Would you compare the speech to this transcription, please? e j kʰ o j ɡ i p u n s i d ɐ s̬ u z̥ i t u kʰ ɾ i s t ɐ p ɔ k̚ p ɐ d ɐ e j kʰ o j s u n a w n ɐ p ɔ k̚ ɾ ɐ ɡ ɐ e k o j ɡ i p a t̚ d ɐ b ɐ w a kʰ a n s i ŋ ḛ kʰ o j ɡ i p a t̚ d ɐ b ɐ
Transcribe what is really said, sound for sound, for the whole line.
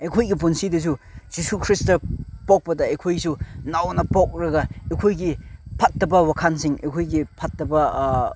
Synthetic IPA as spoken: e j kʰ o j ɡ i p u n s i d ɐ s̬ u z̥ i s u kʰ ɾ i s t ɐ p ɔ k̚ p ɐ d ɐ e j kʰ o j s u n a w n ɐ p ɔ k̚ ɾ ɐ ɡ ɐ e kʰ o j ɡ i pʰ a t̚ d ɐ b ɐ w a kʰ a n s i ŋ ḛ kʰ o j ɡ i pʰ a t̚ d ɐ b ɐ